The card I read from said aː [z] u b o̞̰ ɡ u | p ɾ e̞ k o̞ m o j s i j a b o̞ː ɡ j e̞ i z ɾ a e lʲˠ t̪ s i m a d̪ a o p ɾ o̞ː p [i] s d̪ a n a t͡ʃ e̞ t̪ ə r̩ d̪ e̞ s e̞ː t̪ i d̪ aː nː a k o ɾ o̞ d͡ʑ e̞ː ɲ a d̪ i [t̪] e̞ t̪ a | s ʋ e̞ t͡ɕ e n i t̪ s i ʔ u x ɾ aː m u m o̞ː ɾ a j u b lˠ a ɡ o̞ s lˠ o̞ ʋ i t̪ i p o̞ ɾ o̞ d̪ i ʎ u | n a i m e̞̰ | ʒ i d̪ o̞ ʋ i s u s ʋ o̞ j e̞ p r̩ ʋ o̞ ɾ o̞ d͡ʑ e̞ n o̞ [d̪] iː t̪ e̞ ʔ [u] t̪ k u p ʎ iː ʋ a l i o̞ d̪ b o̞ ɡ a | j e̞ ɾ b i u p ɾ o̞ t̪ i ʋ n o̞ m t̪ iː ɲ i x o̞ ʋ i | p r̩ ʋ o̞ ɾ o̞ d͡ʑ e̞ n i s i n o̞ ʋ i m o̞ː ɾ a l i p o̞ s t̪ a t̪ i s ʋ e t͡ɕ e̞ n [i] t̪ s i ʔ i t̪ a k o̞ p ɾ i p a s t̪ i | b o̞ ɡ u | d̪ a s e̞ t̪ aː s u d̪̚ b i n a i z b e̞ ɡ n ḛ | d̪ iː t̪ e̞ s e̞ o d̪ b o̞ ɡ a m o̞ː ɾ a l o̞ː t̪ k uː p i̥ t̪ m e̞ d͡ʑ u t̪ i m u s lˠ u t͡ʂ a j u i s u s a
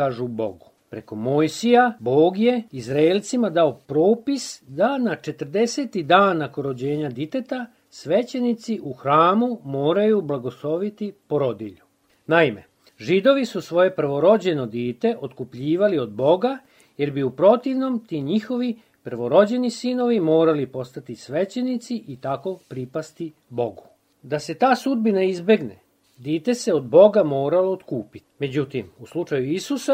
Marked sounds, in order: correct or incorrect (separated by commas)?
incorrect, correct, correct, correct, incorrect, correct